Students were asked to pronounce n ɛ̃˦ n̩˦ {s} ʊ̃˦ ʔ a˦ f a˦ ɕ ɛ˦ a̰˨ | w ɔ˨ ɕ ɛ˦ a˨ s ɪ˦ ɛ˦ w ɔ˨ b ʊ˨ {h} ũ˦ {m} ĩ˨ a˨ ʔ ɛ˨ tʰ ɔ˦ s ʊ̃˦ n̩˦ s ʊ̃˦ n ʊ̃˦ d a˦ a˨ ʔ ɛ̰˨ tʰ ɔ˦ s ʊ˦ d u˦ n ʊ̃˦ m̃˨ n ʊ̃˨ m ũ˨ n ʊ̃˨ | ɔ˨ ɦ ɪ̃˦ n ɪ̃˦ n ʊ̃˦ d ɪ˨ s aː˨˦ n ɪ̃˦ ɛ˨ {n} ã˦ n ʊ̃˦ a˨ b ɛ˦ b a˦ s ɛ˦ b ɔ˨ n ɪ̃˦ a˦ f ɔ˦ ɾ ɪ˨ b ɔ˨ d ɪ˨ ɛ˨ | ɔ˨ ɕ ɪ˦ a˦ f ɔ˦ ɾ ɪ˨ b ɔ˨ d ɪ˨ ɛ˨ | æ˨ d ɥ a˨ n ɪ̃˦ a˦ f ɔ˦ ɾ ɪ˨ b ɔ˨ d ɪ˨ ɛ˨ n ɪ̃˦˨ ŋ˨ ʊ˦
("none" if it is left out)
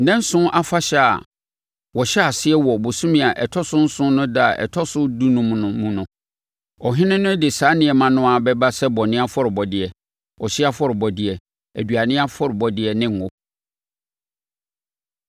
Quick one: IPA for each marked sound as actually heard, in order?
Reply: s, s, m, m

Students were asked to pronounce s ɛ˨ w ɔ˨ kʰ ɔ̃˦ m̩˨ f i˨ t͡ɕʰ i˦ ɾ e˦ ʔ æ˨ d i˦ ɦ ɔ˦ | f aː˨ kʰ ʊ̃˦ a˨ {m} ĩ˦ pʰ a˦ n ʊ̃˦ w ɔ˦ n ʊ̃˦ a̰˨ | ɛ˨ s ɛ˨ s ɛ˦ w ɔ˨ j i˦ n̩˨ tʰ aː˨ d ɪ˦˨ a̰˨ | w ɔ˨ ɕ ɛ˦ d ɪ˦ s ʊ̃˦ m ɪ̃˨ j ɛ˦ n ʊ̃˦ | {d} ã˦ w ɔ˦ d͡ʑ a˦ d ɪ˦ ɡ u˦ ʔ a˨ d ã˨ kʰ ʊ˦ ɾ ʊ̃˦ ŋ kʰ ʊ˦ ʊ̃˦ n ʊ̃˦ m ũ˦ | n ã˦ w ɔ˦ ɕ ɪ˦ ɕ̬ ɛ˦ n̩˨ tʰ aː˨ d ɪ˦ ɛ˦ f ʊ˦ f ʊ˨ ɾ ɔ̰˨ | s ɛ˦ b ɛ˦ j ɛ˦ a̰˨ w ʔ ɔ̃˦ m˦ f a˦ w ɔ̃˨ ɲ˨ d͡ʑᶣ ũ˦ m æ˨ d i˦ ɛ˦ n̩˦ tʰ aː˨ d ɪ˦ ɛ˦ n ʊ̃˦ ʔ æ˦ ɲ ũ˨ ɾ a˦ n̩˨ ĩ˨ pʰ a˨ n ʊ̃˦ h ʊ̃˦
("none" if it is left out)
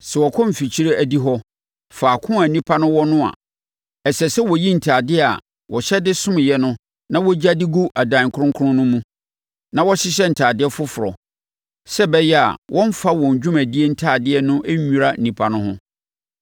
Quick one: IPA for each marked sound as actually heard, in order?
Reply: n, n

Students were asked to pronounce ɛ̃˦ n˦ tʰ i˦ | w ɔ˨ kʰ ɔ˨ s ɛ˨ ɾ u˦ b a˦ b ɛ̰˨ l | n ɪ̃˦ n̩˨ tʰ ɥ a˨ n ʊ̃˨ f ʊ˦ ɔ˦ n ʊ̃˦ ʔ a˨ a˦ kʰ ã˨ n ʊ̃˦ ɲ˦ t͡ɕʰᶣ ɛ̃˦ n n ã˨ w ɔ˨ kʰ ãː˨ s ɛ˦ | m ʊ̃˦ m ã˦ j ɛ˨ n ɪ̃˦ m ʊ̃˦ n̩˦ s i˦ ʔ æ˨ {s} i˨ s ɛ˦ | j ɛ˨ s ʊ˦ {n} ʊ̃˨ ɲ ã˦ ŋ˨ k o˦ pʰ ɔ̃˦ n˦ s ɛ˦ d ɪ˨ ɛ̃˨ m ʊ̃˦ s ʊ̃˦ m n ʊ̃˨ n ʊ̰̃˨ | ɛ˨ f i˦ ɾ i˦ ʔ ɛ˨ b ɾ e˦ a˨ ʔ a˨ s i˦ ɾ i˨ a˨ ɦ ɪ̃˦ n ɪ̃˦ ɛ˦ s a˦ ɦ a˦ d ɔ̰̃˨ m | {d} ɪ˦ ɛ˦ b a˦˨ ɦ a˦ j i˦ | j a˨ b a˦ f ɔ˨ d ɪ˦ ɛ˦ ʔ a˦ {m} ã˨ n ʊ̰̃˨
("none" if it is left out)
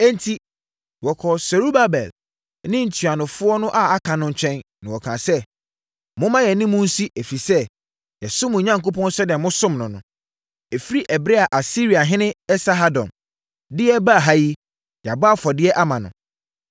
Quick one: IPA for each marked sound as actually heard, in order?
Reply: f, m, d, m

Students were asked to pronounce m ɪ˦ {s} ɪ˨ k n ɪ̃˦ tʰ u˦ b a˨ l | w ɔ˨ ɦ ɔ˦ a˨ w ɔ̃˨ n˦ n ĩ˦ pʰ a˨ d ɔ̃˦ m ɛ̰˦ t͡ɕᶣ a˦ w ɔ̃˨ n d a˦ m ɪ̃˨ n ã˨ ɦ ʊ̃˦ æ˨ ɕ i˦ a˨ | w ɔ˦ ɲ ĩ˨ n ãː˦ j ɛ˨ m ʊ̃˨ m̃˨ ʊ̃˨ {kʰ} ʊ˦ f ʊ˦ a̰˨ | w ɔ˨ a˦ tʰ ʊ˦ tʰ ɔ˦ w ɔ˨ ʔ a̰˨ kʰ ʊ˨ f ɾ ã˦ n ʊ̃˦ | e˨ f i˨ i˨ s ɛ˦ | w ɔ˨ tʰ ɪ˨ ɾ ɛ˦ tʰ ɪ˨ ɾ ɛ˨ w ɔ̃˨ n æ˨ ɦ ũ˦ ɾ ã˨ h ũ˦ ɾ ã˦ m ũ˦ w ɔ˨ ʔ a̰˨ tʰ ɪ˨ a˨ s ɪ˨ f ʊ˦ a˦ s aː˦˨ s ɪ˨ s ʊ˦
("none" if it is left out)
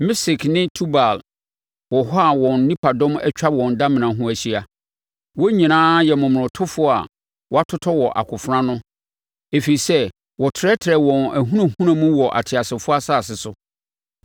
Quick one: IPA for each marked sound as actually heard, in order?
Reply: s, tʰ

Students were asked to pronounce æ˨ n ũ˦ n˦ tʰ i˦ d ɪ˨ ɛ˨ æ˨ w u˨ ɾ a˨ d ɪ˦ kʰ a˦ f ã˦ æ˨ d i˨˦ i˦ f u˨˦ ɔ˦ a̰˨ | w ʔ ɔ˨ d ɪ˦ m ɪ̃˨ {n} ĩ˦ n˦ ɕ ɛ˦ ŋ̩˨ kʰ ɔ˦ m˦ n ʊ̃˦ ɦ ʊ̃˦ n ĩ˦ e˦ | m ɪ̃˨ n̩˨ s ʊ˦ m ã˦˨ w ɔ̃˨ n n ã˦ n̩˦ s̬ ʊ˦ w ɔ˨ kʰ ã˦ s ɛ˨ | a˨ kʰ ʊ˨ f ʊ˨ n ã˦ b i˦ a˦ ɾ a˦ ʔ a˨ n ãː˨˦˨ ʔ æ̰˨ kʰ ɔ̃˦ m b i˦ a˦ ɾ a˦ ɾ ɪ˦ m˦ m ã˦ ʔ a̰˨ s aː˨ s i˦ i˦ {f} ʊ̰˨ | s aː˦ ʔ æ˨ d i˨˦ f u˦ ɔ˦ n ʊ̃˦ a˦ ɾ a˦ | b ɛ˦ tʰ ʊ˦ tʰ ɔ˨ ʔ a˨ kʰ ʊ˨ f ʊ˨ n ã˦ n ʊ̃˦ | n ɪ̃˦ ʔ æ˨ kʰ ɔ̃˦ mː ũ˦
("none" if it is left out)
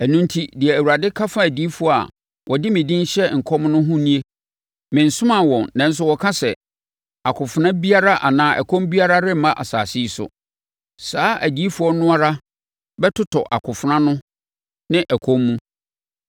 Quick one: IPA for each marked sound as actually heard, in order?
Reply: d, s

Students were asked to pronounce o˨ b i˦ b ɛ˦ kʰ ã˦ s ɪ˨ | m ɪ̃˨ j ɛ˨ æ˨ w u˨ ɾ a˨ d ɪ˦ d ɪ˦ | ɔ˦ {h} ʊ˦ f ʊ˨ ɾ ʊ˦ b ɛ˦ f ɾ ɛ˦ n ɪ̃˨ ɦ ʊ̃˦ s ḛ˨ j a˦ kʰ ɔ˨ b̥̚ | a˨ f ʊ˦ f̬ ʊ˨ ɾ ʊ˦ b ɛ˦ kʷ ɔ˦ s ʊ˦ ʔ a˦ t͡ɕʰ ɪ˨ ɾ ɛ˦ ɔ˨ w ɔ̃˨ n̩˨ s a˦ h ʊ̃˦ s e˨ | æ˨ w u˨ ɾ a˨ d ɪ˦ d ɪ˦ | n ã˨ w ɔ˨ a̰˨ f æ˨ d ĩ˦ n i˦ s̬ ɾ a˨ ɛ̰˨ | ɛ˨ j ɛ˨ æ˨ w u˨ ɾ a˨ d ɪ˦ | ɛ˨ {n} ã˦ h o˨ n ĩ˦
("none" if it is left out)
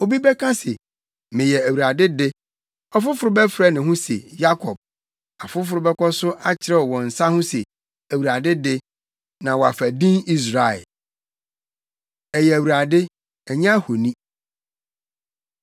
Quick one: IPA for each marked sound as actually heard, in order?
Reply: f, ɲ

